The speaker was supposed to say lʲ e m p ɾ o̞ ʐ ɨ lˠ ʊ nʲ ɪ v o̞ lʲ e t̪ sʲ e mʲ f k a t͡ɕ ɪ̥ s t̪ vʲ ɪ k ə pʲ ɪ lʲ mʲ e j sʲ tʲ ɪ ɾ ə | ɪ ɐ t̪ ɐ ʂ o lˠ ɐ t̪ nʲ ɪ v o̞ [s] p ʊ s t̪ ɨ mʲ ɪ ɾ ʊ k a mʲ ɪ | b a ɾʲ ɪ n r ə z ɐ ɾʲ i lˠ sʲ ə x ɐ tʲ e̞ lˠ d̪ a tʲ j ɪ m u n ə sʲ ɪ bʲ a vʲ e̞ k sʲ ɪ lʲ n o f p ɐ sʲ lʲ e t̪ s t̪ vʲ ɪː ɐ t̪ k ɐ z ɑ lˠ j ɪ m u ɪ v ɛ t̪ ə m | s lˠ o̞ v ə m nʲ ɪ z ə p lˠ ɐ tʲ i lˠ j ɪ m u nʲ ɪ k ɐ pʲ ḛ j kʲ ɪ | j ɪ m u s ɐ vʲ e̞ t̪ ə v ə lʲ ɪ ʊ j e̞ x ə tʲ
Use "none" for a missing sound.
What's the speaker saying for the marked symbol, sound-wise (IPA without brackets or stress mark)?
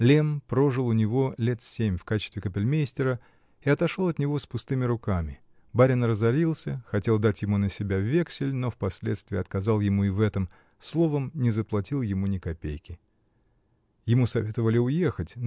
s